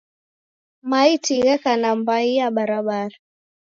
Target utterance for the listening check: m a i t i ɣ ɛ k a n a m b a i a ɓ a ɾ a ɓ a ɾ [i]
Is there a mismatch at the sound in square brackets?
yes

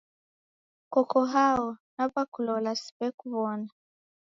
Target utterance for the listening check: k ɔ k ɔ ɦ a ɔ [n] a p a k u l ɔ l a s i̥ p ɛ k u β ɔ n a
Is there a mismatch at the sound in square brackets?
no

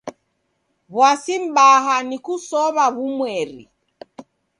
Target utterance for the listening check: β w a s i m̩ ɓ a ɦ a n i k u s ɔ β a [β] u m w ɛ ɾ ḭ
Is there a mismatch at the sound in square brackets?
no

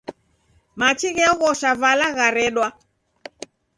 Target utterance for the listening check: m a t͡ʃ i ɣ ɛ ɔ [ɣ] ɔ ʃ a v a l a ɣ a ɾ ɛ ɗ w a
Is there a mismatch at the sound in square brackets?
no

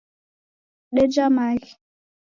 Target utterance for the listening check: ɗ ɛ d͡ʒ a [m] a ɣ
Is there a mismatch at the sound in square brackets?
no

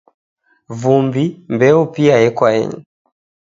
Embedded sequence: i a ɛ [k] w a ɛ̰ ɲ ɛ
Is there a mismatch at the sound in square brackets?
no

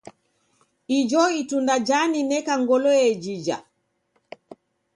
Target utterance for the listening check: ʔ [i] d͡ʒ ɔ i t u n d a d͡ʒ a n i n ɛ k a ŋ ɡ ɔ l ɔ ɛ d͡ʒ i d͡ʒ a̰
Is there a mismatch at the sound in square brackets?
no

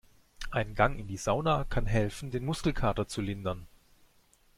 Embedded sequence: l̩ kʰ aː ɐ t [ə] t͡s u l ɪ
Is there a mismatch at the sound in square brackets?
yes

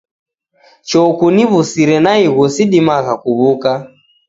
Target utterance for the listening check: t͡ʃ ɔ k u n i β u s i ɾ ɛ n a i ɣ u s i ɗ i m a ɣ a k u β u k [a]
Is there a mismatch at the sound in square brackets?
no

